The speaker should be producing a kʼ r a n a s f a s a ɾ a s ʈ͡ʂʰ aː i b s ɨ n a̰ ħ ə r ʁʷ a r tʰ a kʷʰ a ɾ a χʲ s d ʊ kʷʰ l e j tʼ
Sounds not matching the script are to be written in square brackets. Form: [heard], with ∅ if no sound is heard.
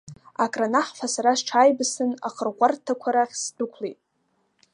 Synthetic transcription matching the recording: a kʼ r a n a [ħ] f a s a ɾ a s ʈ͡ʂʰ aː [j] b s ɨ n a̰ [χ] ə r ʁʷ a r tʰ a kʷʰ a ɾ a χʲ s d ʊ kʷʰ l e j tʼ